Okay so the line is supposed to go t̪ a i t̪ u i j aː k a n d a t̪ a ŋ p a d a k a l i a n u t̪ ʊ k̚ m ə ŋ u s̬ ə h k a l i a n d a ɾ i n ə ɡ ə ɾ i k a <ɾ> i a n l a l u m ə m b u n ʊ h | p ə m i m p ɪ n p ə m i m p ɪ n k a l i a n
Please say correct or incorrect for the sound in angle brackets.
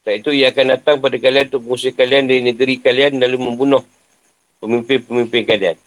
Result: incorrect